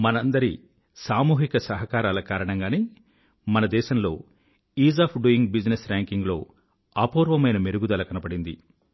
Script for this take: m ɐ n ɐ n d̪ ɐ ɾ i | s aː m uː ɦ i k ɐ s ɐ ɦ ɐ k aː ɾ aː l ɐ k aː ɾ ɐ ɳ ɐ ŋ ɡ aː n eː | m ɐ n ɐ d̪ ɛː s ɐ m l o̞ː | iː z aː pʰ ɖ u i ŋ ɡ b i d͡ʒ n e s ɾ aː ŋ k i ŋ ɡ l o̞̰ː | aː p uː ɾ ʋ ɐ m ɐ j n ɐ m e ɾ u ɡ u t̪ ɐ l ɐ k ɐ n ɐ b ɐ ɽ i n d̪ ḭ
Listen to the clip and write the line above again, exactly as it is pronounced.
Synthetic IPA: m ɐ n ɐ n d̪ ɐ ɾ i | s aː m uː ɦ i k ɐ s ɐ ɦ ɐ k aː ɾ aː l ɐ k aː ɾ ɐ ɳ ɐ ŋ ɡ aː n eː | m ɐ n ɐ d̪ ɛː ʃ ɐ m l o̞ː | iː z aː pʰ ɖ u i ŋ ɡ b i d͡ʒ n e s ɾ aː ŋ k i ŋ ɡ l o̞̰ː | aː p uː ɾ ʋ ɐ m ɐ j n ɐ m e ɾ u ɡ u d̪ ɐ l ɐ k ɐ n ɐ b ɐ ɽ i n d̪ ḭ